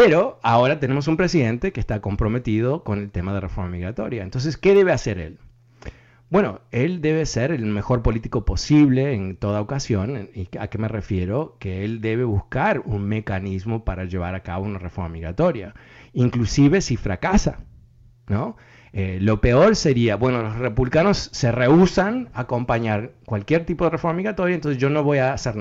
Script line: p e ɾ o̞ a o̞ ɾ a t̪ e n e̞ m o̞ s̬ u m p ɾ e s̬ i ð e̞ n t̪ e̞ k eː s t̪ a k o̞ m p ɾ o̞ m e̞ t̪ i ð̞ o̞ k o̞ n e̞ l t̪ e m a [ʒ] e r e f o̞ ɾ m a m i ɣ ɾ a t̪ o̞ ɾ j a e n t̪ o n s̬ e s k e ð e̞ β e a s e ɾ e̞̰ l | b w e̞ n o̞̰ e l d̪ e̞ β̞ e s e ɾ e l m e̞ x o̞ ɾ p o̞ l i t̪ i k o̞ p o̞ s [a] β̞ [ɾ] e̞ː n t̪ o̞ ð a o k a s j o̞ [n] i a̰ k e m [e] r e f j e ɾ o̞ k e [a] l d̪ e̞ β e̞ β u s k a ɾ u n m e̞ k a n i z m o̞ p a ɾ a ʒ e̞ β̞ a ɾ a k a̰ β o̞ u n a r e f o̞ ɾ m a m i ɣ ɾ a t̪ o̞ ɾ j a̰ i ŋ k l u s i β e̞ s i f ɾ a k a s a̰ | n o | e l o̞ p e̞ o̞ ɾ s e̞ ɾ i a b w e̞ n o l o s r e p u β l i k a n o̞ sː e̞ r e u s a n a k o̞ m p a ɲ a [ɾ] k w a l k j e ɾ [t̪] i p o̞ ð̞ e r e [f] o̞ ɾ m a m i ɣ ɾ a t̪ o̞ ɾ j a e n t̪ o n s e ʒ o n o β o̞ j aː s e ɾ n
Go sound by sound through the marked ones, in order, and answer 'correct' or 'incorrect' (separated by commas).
incorrect, incorrect, incorrect, correct, correct, incorrect, correct, correct, correct